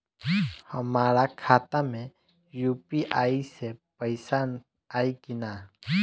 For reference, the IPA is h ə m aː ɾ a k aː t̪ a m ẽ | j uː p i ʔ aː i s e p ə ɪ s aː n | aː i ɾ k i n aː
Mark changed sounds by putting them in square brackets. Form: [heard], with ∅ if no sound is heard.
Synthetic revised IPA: h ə m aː ɾ a [kʰ] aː t̪ a m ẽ | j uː p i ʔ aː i s e p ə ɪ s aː n | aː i [∅] k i n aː